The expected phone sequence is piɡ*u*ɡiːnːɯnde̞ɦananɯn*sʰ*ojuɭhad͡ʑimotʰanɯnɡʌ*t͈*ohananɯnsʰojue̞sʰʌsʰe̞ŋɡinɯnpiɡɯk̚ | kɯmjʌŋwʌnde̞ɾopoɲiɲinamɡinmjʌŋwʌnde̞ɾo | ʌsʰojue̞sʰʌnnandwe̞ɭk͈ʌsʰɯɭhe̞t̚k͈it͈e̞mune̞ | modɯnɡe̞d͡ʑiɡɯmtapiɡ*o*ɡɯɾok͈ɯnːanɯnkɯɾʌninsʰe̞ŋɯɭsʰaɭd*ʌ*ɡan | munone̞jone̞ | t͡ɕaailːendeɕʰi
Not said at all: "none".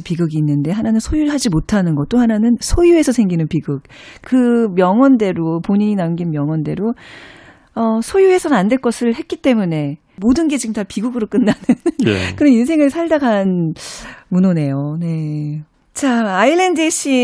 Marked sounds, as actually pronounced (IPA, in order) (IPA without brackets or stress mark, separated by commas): ɯ, sʰ, t͈, u, a